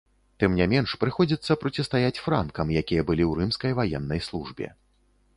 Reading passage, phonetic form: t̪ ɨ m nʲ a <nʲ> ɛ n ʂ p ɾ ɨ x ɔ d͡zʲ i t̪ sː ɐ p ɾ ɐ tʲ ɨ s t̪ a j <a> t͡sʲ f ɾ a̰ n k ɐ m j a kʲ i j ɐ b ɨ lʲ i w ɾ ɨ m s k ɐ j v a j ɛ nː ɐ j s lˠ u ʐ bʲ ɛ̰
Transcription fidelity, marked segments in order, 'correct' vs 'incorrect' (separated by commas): incorrect, correct